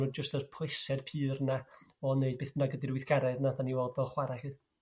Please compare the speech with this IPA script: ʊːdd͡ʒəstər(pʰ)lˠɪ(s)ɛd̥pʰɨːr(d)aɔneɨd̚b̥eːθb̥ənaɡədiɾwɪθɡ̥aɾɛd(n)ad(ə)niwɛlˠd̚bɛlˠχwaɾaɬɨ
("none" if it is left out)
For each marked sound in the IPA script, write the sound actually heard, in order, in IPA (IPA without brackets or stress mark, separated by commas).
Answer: pʰ, s, n, n, a